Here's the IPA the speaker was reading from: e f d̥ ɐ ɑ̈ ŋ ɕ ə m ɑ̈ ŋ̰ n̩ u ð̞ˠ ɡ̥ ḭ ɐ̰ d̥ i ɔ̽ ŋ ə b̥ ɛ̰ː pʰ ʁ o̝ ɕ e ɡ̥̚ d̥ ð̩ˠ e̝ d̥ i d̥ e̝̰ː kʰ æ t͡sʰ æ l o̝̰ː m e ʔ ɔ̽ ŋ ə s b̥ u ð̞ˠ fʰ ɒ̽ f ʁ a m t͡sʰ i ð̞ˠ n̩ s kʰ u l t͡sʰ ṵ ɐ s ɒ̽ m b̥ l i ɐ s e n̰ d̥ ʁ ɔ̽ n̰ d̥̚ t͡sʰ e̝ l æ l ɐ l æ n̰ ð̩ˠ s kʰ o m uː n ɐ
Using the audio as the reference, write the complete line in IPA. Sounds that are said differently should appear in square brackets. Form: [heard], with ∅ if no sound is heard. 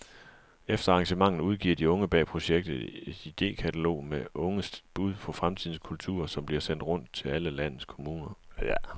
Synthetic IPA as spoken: e f d̥ ɐ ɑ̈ ŋ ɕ ə m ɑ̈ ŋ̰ n̩ u ð̞ˠ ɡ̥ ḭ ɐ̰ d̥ i ɔ̽ ŋ ə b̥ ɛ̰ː pʰ ʁ o̝ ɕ e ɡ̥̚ d̥ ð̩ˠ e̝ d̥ i d̥ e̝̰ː kʰ æ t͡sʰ æ l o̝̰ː m e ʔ ɔ̽ ŋ ə s b̥ u ð̞ˠ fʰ ɒ̽ f ʁ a m t͡sʰ i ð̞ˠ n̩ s kʰ u l t͡sʰ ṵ ɐ s ɒ̽ m b̥ l i ɐ s e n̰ d̥ ʁ ɔ̽ n̰ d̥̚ t͡sʰ e̝ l æ l [ə] l æ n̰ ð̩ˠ s kʰ o m uː n ɐ